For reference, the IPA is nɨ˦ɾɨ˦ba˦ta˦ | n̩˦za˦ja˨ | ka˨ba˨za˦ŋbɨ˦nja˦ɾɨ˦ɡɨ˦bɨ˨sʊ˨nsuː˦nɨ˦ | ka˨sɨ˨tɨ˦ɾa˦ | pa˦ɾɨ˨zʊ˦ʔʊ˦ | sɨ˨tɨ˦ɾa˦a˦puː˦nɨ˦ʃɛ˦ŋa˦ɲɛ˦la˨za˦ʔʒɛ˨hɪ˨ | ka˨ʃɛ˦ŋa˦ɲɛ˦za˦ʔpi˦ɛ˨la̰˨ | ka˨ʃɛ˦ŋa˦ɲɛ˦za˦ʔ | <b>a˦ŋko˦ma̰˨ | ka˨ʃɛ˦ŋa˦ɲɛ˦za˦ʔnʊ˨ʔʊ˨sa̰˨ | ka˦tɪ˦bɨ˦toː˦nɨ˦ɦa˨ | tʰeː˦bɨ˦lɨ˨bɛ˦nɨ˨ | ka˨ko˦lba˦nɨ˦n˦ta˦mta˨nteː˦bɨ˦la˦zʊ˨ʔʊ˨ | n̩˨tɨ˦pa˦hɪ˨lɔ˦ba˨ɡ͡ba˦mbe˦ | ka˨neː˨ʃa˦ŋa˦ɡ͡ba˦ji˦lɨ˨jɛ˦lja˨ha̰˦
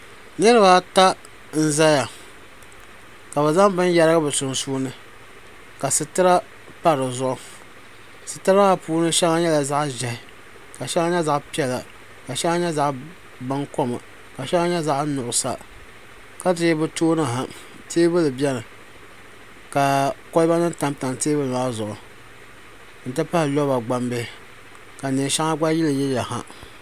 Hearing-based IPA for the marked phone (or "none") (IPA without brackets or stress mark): b